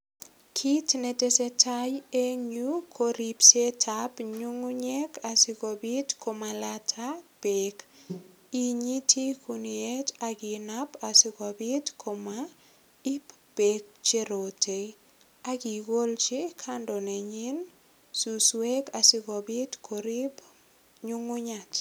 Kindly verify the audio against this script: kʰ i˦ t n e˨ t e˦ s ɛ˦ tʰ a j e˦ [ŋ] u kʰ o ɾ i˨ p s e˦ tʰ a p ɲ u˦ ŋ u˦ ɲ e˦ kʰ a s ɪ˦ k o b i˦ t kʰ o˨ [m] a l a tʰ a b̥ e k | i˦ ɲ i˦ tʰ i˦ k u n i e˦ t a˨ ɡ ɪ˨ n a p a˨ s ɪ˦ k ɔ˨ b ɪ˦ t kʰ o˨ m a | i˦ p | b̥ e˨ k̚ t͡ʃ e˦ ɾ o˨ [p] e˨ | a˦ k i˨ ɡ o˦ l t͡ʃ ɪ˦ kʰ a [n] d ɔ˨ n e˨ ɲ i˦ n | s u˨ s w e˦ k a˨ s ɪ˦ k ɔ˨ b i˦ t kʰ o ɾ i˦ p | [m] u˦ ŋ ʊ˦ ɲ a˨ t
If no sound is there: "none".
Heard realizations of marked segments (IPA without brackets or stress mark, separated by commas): ɲ, m, t, n, ɲ